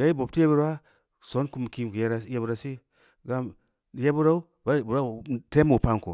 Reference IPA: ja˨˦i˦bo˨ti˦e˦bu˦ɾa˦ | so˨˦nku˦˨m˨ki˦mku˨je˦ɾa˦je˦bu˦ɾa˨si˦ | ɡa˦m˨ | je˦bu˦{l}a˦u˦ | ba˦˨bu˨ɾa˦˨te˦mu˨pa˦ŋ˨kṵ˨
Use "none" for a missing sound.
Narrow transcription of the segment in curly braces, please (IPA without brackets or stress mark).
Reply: ɾ